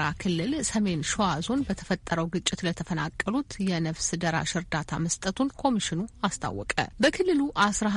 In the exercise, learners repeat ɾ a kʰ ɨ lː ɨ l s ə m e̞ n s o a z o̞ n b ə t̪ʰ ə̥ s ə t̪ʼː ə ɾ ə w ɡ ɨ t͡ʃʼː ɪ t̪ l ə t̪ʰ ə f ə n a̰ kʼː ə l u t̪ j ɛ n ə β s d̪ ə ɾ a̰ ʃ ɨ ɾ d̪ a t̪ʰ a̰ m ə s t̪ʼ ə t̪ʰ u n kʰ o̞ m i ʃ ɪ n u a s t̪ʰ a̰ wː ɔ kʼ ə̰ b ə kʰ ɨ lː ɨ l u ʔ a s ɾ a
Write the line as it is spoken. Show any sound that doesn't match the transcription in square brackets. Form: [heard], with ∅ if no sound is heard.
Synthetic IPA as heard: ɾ a kʰ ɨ lː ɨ l s ə m e̞ n [ʃ] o a z o̞ n b ə t̪ʰ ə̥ [f] ə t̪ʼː ə ɾ ə w ɡ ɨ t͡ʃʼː ɪ t̪ l ə t̪ʰ ə f ə n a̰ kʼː ə l u t̪ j ɛ n ə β s d̪ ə ɾ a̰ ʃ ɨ ɾ d̪ a t̪ʰ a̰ m ə s t̪ʼ ə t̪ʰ u n kʰ o̞ m i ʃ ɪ n u a s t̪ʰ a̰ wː ɔ kʼ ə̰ b ə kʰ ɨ lː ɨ l u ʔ a s ɾ a